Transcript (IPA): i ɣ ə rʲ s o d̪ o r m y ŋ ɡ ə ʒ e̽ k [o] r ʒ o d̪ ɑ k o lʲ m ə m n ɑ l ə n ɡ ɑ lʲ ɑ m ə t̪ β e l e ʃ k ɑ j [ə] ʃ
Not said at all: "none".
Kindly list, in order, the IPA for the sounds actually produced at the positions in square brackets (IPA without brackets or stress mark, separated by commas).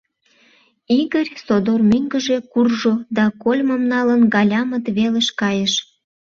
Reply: u, ə